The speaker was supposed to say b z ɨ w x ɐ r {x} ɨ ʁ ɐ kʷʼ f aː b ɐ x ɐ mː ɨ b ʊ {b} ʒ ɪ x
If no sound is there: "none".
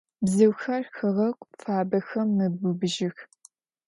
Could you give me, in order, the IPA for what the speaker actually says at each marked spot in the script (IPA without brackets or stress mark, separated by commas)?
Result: x, b